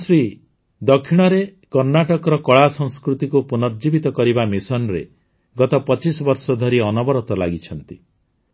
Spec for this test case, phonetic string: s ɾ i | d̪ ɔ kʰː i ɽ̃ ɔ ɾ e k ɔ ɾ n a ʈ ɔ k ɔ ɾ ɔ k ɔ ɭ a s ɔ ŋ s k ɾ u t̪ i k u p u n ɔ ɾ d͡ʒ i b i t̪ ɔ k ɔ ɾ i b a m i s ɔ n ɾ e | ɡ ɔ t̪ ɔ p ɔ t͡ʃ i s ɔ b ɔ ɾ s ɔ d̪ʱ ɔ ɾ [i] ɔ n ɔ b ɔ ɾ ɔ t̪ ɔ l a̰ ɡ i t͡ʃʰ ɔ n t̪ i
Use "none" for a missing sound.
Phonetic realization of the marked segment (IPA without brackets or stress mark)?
i